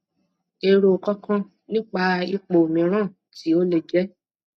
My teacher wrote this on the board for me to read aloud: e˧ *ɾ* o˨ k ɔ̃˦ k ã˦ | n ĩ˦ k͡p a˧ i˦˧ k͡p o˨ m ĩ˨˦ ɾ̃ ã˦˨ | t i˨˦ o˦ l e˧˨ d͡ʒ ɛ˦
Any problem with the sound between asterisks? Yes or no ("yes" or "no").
no